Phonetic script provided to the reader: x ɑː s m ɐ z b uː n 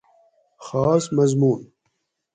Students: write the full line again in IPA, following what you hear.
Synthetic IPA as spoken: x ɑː s m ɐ z m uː n